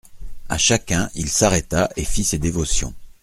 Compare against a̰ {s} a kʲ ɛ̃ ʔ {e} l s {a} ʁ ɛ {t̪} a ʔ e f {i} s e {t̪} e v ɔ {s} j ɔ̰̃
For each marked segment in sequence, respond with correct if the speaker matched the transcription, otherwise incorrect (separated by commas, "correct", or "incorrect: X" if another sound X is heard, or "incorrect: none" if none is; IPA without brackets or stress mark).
incorrect: ʃ, incorrect: i, correct, correct, correct, incorrect: d̪, correct